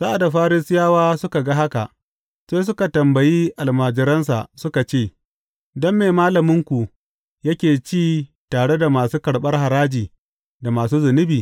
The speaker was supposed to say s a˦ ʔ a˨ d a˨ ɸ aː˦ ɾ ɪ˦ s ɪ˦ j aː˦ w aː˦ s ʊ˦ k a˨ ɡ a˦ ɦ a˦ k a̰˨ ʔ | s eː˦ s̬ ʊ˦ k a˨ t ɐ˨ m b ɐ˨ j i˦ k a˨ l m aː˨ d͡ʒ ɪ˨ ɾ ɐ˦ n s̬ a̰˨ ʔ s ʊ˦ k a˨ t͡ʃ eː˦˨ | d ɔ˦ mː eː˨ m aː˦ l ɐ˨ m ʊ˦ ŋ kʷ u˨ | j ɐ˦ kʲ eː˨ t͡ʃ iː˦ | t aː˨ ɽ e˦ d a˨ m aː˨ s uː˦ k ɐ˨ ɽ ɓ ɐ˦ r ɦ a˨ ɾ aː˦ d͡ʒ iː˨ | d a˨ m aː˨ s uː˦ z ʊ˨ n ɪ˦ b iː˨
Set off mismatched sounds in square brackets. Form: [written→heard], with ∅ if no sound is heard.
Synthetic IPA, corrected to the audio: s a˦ ʔ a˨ d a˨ ɸ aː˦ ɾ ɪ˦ s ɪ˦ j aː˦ w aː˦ s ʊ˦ k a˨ ɡ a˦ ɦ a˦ k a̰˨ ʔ | s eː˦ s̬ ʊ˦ k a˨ t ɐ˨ m b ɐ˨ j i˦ [k→ʔ] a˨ l m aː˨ d͡ʒ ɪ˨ ɾ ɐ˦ n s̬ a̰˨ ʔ s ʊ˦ k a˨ t͡ʃ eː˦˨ | d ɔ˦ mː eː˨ m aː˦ l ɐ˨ m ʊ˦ ŋ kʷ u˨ | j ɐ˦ kʲ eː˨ t͡ʃ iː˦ | t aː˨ ɽ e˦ d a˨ m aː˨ s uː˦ k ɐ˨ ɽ ɓ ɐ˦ r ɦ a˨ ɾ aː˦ d͡ʒ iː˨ | d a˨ m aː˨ s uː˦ z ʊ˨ n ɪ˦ b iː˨